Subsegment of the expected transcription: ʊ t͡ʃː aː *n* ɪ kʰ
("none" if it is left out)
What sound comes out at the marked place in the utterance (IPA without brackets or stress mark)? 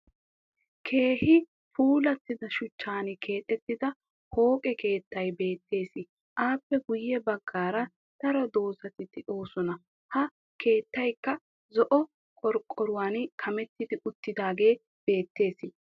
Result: n